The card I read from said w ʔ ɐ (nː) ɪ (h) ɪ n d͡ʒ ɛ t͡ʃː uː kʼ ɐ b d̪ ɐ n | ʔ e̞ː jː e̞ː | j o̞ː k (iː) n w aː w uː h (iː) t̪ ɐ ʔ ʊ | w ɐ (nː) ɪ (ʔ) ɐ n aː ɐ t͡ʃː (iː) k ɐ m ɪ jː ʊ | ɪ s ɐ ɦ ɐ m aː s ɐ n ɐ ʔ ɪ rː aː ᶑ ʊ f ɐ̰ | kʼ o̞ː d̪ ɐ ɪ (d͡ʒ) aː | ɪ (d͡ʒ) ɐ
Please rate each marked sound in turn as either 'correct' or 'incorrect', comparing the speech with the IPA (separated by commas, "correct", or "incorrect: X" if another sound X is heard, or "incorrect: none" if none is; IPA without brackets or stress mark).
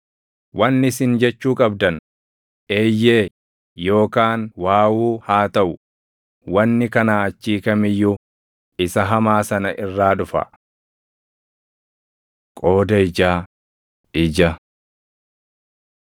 correct, incorrect: s, incorrect: aː, incorrect: aː, correct, incorrect: k, correct, correct, correct